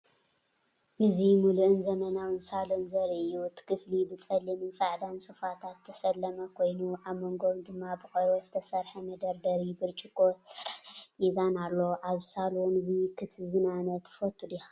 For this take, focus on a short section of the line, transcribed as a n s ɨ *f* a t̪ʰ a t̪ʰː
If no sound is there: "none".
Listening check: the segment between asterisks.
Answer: f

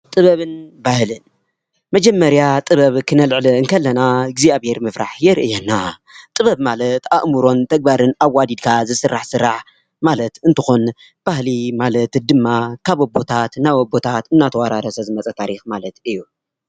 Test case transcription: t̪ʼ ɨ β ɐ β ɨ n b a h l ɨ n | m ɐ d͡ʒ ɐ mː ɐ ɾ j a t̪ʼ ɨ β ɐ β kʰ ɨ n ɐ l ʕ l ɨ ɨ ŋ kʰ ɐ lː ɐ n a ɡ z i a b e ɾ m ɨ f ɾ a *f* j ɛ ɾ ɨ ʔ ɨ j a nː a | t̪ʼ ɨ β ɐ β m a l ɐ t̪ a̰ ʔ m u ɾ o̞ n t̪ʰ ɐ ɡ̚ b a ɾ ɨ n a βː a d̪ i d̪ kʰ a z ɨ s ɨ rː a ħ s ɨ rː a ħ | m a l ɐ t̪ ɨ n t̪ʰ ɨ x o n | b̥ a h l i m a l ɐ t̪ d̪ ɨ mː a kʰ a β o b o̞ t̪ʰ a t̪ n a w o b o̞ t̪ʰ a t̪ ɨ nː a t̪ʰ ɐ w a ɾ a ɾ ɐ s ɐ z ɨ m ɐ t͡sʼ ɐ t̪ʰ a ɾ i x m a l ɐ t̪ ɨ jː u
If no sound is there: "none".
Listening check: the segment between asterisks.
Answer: ħ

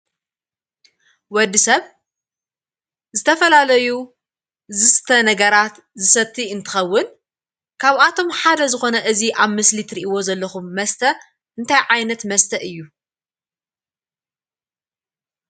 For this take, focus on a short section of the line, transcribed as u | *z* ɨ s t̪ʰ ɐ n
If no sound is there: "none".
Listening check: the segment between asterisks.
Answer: z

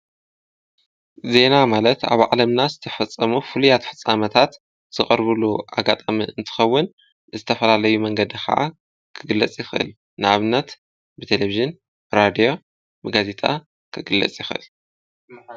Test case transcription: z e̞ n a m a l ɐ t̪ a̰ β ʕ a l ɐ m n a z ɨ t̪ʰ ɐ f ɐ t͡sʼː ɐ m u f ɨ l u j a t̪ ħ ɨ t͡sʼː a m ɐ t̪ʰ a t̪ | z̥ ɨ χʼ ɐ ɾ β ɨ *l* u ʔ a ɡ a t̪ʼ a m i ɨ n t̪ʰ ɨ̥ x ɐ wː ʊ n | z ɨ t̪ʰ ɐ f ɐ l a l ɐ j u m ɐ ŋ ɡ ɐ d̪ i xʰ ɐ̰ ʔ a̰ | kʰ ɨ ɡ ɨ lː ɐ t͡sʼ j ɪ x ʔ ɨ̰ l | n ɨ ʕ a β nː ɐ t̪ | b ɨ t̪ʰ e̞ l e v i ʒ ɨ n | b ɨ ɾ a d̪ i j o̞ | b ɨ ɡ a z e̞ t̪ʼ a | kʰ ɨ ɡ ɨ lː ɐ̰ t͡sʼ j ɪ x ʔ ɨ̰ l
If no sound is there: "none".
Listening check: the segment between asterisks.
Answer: l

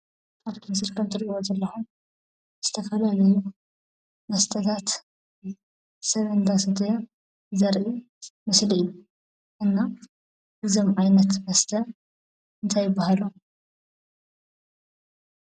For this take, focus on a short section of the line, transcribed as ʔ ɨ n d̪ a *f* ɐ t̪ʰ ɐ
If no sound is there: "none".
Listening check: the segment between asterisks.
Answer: s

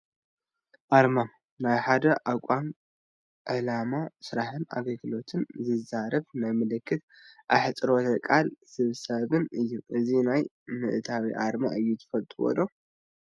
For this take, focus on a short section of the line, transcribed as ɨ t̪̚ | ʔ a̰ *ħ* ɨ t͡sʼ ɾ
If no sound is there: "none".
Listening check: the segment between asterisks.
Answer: ħ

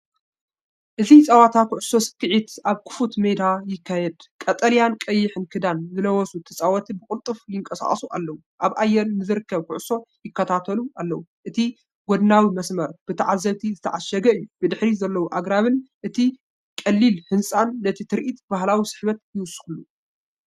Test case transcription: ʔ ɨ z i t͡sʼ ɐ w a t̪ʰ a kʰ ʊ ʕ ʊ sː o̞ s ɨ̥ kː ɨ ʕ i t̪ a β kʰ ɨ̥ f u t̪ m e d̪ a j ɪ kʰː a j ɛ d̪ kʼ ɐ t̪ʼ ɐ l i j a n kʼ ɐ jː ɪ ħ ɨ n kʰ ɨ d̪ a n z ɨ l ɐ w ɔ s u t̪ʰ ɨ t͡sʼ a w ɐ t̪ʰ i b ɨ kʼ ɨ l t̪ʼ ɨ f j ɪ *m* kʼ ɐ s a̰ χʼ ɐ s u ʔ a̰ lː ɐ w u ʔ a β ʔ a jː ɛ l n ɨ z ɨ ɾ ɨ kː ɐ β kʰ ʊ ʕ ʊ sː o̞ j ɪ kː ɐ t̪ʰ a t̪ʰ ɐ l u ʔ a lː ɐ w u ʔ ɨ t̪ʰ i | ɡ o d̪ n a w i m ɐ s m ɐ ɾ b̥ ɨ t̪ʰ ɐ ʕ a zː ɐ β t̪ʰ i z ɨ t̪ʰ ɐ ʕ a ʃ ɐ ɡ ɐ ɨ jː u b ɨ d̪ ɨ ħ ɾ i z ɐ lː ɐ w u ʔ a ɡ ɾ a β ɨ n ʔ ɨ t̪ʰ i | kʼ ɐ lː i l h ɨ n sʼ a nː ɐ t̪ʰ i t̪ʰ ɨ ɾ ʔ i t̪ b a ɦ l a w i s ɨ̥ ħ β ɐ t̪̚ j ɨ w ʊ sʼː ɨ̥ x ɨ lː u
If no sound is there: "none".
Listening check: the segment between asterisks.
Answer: ŋ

